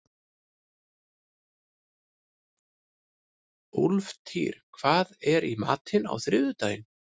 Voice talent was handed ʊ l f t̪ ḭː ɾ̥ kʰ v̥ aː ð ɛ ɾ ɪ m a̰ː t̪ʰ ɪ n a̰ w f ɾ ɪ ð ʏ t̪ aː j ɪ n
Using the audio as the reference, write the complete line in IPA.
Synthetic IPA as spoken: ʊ l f t̪ʰ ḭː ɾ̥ kʰ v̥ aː ð ɛ ɾ i m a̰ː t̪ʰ ɪ n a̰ w θ ɾ ɪ ð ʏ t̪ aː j ɪ n